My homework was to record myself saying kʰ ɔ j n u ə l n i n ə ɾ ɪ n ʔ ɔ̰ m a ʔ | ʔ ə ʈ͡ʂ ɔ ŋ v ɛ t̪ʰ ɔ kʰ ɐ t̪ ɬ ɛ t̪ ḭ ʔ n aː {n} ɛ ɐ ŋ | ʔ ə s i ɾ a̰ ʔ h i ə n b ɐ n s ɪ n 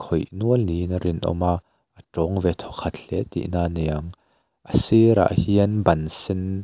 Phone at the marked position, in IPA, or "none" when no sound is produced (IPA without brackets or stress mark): n